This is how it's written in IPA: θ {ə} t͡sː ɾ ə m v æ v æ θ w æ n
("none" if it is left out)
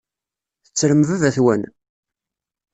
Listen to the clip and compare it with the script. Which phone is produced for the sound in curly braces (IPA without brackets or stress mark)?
ə